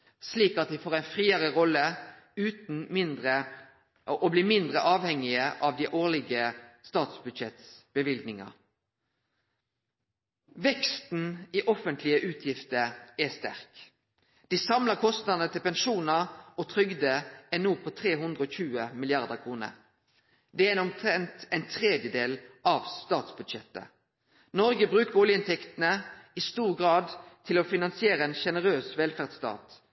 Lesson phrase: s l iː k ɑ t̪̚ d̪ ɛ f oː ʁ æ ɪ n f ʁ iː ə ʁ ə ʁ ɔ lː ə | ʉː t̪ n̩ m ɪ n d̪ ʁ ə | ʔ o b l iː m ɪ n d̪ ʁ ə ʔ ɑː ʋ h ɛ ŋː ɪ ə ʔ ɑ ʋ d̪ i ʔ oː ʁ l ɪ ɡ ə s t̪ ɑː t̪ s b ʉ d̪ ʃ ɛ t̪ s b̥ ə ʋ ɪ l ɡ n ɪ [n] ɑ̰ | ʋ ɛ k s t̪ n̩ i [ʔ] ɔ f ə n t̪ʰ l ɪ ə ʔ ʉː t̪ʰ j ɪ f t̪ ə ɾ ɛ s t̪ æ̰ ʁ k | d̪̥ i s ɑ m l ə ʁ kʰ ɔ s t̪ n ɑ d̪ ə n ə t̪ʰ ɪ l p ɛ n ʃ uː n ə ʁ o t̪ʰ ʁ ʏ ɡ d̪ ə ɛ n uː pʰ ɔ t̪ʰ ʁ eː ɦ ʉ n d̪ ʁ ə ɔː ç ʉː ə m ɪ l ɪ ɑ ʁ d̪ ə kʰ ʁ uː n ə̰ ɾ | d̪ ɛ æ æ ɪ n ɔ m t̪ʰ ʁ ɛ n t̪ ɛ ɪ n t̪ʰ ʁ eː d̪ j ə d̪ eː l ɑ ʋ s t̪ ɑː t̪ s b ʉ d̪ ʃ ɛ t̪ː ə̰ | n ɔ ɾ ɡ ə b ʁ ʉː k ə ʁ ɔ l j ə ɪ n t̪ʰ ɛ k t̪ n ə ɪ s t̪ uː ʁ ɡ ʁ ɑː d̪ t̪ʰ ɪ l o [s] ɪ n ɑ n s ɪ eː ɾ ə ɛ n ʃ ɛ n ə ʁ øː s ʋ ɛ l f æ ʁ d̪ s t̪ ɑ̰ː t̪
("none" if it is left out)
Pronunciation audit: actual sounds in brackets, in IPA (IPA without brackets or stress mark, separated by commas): ŋ, ʔ, f